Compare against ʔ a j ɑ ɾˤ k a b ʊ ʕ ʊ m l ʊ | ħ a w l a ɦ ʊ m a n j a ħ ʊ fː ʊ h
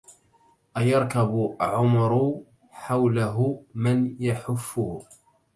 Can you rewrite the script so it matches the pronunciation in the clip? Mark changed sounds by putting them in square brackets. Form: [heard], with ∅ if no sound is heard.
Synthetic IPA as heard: ʔ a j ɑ ɾˤ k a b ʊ ʕ ʊ m [ɾ] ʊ | ħ a w l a ɦ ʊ m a n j a ħ ʊ fː ʊ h